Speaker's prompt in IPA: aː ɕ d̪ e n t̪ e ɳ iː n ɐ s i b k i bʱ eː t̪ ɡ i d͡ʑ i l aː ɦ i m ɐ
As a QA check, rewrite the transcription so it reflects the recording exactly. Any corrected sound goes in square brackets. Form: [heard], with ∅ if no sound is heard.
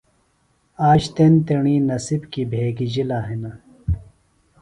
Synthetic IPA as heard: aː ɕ [t̪] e n t̪ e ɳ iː n ɐ s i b k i bʱ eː [∅] ɡ i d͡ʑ i l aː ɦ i [n] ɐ

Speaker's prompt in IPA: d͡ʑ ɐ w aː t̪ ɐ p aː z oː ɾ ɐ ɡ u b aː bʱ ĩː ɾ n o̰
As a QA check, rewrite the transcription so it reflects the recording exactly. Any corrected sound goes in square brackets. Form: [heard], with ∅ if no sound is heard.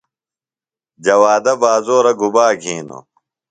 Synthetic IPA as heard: d͡ʑ ɐ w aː [d̪] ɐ [b] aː z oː ɾ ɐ ɡ u b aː [ɡʱ] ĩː [∅] n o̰

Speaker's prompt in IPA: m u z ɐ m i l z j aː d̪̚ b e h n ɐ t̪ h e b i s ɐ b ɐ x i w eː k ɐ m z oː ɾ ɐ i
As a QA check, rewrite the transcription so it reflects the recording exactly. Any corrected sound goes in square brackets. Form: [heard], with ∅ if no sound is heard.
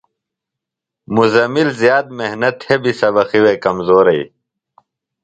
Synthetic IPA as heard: m u z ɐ m i l z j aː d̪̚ [m] e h n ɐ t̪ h e b i s ɐ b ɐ x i w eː k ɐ m z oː ɾ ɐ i

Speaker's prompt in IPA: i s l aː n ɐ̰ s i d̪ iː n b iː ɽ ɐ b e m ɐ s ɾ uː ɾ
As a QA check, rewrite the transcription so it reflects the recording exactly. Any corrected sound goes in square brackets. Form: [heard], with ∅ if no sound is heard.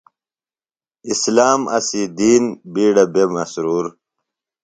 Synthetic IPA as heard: i s l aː [m] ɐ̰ s i d̪ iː n b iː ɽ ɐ b e m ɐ s ɾ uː ɾ

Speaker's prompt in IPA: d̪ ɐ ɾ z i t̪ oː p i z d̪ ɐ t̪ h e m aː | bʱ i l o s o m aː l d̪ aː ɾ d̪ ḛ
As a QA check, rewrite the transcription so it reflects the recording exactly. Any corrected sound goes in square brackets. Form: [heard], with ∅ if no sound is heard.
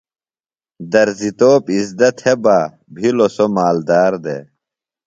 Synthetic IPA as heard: d̪ ɐ ɾ z i t̪ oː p i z d̪ ɐ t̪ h e [b] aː | bʱ i l o s o m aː l d̪ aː ɾ d̪ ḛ

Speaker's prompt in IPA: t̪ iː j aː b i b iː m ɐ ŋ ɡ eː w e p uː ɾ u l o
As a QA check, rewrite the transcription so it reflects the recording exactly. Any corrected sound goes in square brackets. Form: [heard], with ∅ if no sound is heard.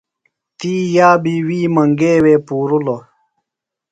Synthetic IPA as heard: t̪ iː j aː b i [w] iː m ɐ ŋ ɡ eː w e p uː ɾ u l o

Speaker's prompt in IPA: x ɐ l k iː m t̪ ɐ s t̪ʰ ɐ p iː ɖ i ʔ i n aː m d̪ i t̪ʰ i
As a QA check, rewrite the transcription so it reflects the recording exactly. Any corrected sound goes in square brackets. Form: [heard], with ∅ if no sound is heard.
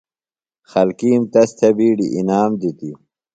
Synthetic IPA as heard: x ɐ l k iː m t̪ ɐ s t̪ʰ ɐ [b] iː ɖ i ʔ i n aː m d̪ i [t̪] i

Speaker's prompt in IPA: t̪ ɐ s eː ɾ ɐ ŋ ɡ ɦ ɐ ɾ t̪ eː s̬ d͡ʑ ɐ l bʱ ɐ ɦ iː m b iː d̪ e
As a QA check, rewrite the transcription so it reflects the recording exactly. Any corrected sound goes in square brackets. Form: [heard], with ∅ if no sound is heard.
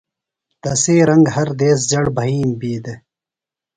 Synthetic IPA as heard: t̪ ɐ s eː ɾ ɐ ŋ ɡ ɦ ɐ ɾ [d̪] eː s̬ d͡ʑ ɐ [ɽ] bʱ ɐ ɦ iː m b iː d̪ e

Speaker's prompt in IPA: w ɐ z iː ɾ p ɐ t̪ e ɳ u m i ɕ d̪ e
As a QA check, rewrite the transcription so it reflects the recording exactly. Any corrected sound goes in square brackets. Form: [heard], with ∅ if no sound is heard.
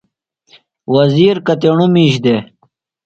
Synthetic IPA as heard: w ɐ z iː ɾ [k] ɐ t̪ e ɳ u m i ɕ d̪ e

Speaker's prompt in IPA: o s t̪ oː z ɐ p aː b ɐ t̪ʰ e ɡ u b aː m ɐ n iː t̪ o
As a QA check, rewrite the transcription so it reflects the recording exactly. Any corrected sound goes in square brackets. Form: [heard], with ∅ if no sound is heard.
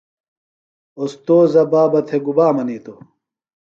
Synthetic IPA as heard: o s t̪ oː z ɐ [b] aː b ɐ t̪ʰ e ɡ u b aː m ɐ n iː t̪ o

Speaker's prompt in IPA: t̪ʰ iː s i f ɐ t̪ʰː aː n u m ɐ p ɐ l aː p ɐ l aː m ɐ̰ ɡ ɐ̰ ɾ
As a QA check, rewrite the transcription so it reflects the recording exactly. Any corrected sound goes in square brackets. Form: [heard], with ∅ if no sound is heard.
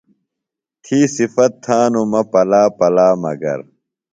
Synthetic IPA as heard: t̪ʰ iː s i f ɐ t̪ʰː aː n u m ɐ p ɐ l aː p ɐ l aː m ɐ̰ ɡ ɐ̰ ɾ

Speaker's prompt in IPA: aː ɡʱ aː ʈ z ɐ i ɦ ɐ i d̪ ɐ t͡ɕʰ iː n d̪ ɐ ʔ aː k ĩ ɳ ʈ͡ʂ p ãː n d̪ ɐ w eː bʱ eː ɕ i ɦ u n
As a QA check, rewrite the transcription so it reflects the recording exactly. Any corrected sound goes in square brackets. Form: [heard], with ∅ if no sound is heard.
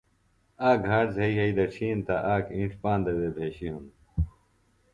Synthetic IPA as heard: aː ɡʱ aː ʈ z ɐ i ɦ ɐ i d̪ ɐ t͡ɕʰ iː n [t̪] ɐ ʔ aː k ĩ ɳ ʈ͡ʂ p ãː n d̪ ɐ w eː bʱ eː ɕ i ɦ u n

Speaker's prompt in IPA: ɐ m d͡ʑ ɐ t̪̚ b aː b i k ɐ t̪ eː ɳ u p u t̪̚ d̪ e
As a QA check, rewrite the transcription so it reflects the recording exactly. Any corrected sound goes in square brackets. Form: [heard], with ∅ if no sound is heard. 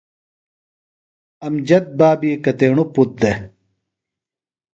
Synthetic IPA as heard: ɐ m d͡ʑ ɐ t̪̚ b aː b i k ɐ t̪ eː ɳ u p u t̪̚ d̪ e

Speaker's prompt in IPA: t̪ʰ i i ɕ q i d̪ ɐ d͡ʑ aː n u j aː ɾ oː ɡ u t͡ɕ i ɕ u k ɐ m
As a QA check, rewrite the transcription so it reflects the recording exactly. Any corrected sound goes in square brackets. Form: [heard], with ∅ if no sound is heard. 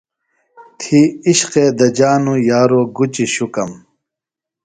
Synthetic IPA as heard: t̪ʰ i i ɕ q [e] d̪ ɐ d͡ʑ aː n u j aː ɾ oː ɡ u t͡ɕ i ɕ u k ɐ m

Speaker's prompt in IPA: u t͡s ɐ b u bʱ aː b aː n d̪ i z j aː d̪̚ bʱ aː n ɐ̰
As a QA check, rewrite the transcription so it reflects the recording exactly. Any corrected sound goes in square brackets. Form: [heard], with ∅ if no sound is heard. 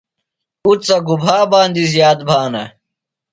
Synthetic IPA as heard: u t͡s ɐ [ɡ] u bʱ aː b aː n d̪ i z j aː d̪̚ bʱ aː n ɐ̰

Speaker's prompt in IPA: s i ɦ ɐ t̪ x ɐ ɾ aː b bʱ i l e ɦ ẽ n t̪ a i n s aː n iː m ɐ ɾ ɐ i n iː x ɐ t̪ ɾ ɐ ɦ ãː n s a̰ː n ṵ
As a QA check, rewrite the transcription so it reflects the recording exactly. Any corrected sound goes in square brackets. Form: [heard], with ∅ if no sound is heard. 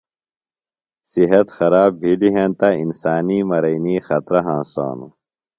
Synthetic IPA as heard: s i ɦ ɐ t̪ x ɐ ɾ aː b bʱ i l [i] ɦ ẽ n t̪ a i n s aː n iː m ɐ ɾ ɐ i n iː x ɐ t̪ ɾ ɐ ɦ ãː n s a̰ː n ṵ

